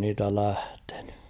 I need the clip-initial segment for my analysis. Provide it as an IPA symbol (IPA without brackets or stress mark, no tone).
n